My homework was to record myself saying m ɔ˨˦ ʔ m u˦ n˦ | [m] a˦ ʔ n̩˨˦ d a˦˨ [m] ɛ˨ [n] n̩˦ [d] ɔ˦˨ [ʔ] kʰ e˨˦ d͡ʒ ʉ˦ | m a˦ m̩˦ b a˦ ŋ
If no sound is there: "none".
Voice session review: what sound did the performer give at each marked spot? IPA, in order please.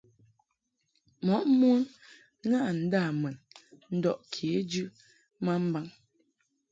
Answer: ŋ, m, n, d, ʔ

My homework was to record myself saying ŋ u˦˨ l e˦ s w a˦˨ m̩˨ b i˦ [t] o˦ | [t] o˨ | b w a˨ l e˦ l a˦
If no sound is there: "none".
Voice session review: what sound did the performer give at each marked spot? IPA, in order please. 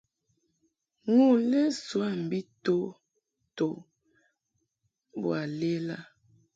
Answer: t, t

